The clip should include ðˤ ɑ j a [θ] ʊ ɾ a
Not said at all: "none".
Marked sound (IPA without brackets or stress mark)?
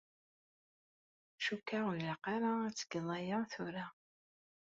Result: θ